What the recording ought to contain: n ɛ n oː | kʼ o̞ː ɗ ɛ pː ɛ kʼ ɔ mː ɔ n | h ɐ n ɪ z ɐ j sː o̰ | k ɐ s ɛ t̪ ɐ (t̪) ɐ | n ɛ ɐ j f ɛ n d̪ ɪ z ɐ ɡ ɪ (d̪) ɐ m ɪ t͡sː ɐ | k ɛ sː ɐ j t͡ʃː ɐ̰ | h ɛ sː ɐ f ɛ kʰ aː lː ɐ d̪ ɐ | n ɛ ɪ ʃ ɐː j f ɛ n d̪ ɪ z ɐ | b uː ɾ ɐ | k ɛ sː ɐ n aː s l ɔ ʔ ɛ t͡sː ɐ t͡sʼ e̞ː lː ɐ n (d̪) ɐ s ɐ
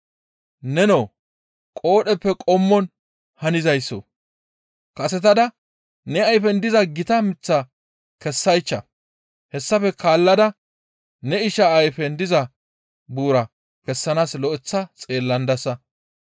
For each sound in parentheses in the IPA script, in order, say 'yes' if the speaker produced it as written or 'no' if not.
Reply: no, no, yes

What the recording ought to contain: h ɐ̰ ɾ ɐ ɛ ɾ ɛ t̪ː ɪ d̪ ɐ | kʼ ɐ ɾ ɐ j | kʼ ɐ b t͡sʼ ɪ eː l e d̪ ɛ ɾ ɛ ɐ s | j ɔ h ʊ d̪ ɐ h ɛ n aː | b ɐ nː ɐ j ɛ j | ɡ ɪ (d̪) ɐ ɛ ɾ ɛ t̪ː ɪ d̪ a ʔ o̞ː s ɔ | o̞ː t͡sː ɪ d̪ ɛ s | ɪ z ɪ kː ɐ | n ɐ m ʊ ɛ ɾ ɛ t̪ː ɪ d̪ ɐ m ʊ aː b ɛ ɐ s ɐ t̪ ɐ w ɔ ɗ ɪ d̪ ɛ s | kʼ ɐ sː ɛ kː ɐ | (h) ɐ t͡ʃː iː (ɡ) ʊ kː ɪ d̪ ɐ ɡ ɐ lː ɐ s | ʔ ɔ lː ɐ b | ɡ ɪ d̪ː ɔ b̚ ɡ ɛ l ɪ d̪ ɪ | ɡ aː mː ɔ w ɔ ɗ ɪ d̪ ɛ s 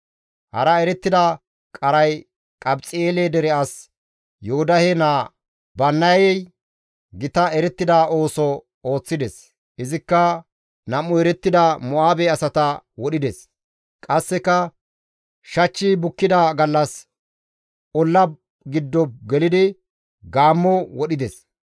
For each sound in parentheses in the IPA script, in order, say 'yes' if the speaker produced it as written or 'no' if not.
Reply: no, no, no

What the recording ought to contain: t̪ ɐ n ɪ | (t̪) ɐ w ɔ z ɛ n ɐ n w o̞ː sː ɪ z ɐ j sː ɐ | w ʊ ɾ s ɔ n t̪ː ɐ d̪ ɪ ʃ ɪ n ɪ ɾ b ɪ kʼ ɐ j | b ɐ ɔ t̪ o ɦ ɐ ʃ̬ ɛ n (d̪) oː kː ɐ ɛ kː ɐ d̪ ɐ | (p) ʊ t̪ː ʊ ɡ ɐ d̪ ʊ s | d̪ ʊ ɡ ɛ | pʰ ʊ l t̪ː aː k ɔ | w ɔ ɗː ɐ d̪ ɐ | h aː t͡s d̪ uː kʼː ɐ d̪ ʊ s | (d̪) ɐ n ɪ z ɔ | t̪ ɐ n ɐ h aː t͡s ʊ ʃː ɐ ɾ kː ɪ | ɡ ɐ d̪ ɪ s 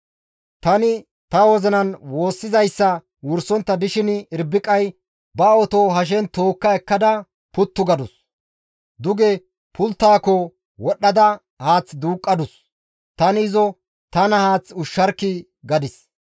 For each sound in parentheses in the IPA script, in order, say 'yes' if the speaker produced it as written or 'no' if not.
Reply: yes, no, yes, no

